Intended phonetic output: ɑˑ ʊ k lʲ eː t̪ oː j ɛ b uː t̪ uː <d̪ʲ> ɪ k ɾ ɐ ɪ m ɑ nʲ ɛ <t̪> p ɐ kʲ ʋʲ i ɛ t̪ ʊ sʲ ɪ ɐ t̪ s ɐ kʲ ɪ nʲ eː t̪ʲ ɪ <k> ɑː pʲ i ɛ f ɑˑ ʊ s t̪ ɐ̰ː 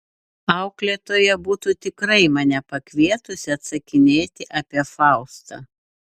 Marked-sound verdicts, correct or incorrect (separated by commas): incorrect, incorrect, incorrect